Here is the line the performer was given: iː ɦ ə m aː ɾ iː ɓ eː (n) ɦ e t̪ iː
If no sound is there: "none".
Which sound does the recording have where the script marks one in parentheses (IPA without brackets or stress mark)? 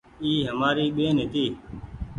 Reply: n